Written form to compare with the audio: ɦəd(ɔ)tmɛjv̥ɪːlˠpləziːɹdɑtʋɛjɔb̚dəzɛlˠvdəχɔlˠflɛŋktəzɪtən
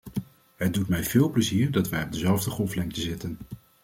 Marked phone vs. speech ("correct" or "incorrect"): incorrect